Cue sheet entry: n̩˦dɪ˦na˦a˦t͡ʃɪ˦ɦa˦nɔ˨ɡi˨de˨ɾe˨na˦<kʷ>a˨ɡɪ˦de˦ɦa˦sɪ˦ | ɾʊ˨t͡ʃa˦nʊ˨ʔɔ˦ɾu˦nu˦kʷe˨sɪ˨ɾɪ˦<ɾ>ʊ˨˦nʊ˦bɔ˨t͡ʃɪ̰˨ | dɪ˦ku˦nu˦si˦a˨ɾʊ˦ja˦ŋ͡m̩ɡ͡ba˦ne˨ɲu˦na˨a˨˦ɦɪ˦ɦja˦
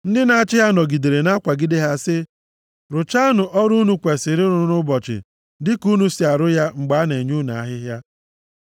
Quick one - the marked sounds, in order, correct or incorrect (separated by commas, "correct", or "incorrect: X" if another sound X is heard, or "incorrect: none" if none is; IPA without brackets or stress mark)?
correct, correct